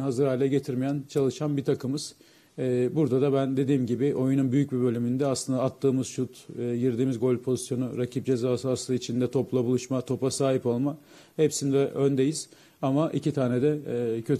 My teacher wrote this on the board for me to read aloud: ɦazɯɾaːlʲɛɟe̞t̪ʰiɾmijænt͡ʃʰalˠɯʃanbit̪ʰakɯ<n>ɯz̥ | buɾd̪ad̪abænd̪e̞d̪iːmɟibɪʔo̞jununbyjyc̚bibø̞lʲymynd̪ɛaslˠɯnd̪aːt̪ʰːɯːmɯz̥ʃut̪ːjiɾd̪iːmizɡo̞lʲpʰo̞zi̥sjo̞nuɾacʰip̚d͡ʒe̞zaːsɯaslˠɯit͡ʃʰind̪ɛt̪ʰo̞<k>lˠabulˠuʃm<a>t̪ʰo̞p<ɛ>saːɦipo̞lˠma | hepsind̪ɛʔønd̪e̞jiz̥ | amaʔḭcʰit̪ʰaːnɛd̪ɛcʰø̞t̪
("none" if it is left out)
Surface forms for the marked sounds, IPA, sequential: m, p, a, a

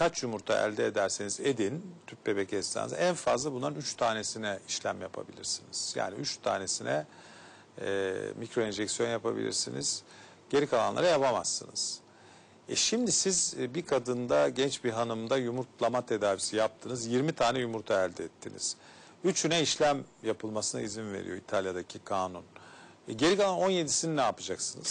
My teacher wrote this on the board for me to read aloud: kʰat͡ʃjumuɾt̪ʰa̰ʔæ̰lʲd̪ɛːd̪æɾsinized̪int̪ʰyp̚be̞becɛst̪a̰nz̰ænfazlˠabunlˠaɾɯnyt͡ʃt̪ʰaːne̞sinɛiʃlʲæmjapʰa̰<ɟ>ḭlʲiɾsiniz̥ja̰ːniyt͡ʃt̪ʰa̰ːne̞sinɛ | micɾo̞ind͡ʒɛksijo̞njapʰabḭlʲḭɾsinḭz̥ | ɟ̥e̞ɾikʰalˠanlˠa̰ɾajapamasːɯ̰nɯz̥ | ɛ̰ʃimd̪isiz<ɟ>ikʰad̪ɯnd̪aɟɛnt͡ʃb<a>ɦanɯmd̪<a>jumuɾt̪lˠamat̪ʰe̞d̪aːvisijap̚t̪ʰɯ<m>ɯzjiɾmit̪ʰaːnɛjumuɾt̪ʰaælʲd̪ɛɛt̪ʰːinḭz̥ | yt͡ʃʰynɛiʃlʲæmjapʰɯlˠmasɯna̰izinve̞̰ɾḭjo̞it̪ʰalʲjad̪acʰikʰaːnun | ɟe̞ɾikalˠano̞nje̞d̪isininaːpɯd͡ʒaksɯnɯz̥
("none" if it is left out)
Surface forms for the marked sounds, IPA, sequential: b, b, i, a, n

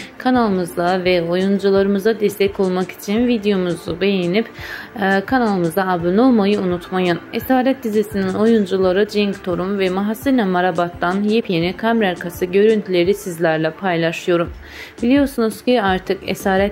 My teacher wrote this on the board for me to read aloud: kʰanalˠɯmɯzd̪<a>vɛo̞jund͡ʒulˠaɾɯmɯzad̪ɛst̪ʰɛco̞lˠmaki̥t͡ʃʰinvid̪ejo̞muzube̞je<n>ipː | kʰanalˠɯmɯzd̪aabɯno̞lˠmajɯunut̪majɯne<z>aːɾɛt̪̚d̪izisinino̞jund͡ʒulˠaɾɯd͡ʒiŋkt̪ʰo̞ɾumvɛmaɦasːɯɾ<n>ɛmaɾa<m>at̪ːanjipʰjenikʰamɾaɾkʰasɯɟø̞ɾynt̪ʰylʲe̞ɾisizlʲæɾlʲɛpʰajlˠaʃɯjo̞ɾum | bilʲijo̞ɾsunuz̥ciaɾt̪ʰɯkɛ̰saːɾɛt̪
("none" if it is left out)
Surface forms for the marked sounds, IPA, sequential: a, n, s, n, b

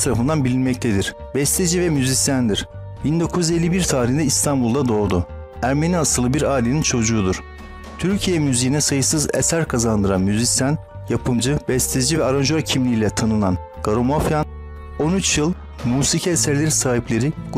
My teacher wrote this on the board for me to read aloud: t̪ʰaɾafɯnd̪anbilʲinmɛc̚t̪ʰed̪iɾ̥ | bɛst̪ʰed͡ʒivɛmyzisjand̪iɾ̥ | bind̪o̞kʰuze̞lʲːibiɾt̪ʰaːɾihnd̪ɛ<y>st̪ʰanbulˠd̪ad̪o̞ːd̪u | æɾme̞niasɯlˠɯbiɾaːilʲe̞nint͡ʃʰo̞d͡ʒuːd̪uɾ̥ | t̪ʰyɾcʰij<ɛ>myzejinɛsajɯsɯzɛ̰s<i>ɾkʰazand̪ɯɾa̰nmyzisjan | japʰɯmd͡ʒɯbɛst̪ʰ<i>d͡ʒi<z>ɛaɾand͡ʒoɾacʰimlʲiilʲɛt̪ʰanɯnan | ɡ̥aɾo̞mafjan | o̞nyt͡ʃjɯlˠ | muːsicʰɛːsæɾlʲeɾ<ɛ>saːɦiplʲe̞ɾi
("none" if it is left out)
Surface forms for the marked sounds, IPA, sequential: i, ɛ, æ, e, v, i

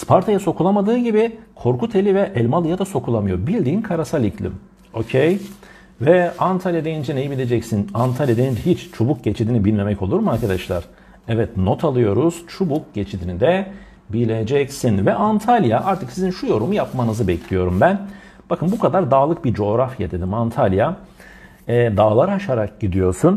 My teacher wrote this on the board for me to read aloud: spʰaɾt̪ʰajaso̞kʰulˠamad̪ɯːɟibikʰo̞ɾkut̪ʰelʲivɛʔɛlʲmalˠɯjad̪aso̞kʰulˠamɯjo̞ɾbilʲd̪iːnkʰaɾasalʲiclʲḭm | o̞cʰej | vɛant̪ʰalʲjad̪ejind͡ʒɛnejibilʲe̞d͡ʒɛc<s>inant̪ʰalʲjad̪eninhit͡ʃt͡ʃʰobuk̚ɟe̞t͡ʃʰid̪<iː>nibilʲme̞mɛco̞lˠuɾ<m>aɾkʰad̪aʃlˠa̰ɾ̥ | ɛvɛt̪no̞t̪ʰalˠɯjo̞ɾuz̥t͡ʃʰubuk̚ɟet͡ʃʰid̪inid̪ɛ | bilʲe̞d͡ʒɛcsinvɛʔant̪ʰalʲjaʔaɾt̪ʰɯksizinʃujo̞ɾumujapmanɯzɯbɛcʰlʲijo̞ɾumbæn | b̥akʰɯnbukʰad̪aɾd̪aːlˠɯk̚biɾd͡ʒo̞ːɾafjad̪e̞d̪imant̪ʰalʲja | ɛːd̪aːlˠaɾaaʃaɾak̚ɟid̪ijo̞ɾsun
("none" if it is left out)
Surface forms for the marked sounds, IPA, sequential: s, i, m

